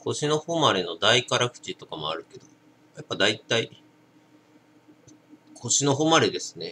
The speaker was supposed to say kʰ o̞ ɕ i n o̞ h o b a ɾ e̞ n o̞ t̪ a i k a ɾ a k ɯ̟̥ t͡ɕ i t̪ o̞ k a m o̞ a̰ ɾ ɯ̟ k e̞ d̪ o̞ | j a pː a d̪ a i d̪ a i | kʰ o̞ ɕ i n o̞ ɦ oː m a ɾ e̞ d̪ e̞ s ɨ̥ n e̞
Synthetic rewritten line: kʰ o̞ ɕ i n o̞ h o m a ɾ e̞ n o̞ d̪ a i k a ɾ a k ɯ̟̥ t͡ɕ i t̪ o̞ k a m o̞ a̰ ɾ ɯ̟ k e̞ d̪ o̞ | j a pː a d̪ a i t̪ a i | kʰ o̞ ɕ i n o̞ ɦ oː m a ɾ e̞ d̪ e̞ s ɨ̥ n e̞